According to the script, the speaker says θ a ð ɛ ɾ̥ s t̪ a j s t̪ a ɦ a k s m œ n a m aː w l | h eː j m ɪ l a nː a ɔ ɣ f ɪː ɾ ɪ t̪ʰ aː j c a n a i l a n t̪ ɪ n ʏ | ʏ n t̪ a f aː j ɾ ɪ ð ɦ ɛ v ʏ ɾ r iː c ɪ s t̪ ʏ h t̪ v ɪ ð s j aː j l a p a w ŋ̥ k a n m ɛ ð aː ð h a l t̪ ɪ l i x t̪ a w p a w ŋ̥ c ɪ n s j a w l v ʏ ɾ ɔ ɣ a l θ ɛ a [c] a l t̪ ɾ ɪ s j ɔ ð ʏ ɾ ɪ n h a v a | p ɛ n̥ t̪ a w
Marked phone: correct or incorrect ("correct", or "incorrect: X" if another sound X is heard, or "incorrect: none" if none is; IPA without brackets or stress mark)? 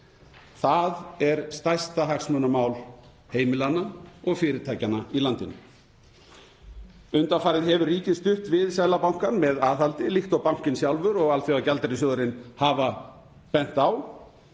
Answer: correct